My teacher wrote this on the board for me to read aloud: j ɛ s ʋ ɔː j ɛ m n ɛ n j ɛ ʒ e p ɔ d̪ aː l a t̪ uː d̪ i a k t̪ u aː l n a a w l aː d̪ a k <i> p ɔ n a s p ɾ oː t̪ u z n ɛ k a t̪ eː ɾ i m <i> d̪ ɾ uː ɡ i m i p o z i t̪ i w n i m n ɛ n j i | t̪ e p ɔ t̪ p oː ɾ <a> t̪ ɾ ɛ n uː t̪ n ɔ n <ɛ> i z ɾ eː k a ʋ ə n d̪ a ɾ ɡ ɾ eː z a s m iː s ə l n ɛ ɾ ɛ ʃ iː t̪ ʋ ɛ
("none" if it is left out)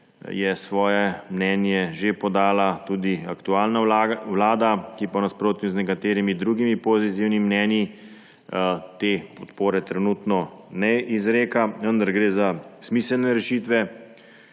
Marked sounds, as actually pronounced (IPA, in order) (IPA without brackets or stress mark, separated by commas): i, i, ɛ, ɛ